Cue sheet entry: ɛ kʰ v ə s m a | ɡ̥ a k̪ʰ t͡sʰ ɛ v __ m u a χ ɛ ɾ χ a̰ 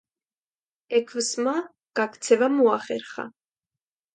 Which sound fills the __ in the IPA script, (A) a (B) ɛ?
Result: A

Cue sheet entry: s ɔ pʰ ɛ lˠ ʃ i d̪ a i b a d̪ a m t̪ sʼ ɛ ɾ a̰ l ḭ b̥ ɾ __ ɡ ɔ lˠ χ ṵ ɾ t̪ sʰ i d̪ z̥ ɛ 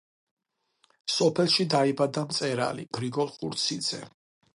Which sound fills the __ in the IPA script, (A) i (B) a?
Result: A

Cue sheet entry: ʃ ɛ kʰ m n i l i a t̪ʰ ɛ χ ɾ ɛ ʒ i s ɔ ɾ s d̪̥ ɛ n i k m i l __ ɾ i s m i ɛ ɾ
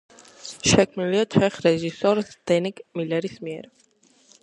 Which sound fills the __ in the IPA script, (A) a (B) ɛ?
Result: B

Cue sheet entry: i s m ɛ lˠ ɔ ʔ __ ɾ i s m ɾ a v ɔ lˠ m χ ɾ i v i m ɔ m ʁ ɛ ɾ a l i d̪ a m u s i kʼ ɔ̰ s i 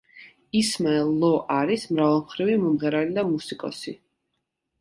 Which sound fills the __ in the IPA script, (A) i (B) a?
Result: B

